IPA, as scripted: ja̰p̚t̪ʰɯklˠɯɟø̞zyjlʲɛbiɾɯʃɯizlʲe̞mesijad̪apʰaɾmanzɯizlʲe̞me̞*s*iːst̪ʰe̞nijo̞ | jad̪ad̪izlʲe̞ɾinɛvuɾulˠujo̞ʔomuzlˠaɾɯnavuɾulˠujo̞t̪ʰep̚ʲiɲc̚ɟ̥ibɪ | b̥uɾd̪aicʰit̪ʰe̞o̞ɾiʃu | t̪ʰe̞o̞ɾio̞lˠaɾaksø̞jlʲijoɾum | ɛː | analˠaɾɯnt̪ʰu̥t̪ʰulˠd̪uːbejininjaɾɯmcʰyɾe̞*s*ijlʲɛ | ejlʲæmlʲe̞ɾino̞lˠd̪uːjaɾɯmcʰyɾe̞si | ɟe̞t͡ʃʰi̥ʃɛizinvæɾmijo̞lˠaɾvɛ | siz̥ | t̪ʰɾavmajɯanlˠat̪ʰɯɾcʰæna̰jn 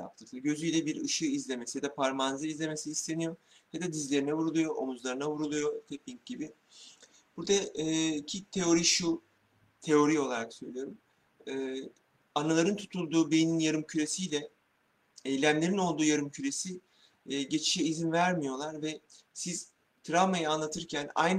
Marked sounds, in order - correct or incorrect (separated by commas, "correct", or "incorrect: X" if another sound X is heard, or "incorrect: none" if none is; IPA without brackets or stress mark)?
correct, correct